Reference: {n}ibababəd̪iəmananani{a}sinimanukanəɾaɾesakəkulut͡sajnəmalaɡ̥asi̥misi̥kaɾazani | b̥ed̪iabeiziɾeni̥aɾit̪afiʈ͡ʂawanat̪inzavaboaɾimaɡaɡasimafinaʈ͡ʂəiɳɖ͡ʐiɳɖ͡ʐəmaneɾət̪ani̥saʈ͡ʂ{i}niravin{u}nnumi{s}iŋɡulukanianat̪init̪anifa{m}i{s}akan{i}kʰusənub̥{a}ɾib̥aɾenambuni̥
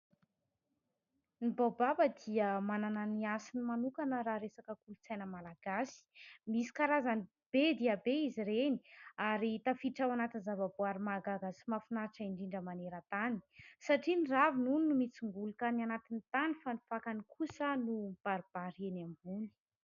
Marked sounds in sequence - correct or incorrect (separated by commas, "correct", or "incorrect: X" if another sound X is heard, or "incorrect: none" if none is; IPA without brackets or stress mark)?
correct, correct, correct, correct, incorrect: t͡s, incorrect: n, incorrect: f, correct, correct